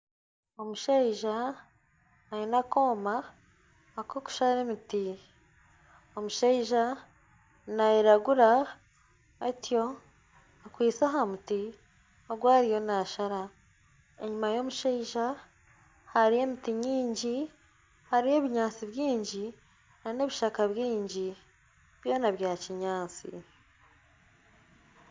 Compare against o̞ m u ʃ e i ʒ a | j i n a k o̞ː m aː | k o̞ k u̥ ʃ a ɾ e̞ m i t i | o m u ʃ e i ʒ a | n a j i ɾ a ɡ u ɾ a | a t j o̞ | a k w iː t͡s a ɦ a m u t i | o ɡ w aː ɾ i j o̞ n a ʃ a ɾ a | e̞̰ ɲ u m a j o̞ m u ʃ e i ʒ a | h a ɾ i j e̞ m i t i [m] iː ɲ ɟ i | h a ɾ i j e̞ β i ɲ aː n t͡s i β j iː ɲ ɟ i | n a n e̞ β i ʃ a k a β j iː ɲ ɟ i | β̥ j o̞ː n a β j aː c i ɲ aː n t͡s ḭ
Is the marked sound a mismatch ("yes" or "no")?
yes